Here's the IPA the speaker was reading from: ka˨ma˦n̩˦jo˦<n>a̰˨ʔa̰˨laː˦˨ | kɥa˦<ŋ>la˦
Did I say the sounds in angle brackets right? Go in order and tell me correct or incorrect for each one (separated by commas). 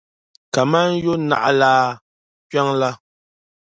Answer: correct, correct